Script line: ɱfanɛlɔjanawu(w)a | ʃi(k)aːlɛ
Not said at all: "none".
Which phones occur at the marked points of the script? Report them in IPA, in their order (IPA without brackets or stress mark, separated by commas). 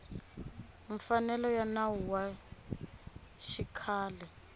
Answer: w, kʰ